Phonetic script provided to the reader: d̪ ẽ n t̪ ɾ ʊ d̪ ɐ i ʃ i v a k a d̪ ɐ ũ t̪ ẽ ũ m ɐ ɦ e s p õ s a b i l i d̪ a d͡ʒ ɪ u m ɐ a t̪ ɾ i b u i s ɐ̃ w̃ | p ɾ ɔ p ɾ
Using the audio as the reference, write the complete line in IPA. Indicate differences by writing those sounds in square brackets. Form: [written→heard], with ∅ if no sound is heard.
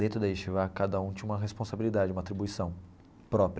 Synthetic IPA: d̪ ẽ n t̪ ɾ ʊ d̪ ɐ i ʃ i v a k a d̪ ɐ ũ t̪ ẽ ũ m ɐ ɦ e s p õ s a b i l i d̪ a d͡ʒ ɪ u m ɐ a t̪ ɾ i b u i s ɐ̃ w̃ | p ɾ ɔ p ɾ